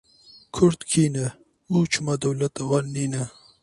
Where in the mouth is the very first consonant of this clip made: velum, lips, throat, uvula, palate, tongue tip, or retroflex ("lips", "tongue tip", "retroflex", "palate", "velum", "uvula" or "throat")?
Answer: velum